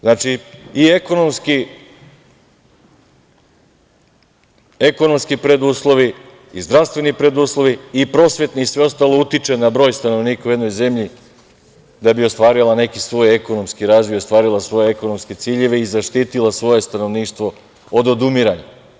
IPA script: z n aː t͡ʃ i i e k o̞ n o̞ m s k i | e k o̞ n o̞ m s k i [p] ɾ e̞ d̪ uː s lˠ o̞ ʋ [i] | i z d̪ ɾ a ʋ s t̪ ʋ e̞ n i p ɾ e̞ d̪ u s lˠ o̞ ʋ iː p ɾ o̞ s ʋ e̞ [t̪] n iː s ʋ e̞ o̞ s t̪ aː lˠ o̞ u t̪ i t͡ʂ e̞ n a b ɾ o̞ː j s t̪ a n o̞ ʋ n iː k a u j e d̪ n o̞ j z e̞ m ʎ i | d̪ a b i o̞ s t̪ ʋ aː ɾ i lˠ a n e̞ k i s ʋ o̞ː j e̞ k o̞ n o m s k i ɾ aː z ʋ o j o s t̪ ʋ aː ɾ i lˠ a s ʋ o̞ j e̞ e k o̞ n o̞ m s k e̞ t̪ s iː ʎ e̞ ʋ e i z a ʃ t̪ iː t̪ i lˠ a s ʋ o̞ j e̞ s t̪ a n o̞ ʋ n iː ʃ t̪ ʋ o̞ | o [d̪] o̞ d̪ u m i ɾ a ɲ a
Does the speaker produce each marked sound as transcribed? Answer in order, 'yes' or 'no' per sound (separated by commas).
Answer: yes, yes, yes, yes